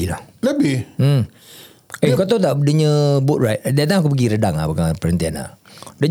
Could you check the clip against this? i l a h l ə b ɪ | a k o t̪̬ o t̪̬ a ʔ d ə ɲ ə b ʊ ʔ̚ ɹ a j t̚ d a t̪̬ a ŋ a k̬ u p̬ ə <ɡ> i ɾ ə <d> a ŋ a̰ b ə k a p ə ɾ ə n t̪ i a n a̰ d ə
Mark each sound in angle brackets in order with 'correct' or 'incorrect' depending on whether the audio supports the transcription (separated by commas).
correct, correct